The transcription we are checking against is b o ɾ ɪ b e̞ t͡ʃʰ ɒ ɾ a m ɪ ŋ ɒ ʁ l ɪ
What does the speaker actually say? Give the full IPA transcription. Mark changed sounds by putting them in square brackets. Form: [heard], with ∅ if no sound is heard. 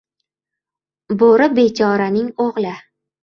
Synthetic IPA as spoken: b o ɾ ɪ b e̞ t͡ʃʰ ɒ ɾ a [n] ɪ ŋ [o] ʁ l ɪ